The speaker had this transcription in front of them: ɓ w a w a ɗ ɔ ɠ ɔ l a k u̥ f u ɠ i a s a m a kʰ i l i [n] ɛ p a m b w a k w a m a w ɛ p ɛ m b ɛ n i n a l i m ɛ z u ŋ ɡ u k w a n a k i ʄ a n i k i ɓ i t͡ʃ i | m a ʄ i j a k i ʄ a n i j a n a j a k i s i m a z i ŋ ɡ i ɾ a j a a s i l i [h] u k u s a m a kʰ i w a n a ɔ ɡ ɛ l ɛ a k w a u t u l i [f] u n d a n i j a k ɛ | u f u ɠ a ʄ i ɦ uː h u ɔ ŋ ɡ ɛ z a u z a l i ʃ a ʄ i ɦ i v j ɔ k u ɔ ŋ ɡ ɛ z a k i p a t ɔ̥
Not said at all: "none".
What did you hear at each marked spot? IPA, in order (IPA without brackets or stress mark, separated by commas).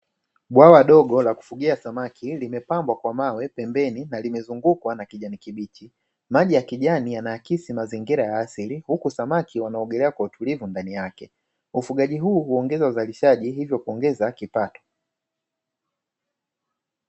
m, h, v